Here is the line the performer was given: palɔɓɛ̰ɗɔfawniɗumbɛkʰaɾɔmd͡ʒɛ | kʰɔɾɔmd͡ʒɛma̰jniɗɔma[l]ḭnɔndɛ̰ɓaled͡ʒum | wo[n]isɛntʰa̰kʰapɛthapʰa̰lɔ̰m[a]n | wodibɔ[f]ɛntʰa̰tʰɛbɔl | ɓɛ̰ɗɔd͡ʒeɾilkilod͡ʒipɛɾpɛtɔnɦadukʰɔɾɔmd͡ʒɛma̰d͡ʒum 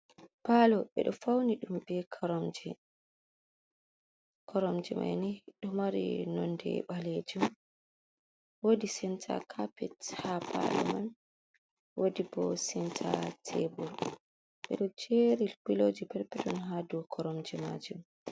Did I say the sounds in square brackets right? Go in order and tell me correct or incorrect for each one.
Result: incorrect, incorrect, correct, incorrect

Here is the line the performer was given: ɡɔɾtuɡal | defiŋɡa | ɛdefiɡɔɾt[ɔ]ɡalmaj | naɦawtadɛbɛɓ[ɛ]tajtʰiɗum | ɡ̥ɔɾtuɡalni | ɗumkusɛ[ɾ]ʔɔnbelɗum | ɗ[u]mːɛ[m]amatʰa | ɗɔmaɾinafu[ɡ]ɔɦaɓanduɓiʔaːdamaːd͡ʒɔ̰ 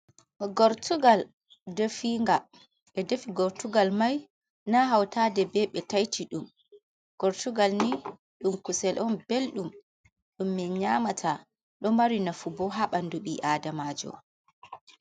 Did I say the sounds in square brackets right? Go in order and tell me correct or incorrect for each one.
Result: incorrect, correct, incorrect, correct, incorrect, incorrect

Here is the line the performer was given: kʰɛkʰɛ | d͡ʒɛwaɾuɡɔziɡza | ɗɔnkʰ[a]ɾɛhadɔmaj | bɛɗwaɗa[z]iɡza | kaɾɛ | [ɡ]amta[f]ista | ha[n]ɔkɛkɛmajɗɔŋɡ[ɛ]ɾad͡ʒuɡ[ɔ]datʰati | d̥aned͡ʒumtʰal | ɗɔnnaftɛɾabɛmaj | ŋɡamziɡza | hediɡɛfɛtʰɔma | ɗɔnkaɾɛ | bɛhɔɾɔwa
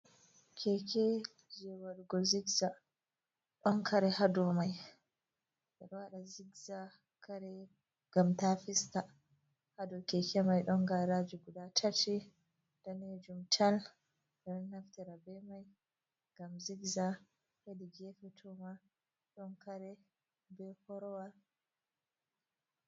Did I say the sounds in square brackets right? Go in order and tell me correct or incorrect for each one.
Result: correct, correct, correct, correct, incorrect, incorrect, incorrect

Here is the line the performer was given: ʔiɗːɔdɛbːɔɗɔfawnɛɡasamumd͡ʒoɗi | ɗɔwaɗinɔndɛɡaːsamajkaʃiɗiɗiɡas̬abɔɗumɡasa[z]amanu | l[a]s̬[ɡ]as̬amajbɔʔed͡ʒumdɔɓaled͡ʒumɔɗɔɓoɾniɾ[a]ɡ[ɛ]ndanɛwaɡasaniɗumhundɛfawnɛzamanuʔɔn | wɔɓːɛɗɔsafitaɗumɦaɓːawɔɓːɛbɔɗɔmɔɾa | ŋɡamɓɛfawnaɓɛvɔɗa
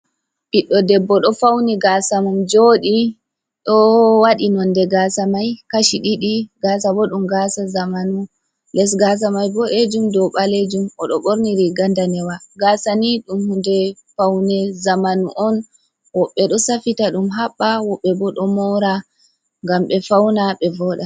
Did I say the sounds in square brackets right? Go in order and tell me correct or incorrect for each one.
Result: correct, incorrect, correct, incorrect, incorrect

